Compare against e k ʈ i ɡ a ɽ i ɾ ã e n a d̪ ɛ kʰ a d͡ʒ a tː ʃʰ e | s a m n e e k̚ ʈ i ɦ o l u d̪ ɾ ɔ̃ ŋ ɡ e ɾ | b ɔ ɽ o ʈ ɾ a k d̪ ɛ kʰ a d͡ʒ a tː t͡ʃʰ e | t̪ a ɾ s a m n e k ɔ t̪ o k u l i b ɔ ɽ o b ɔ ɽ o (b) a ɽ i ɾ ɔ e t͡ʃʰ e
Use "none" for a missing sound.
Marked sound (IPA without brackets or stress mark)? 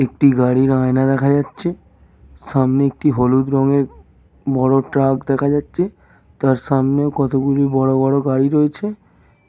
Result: ɡ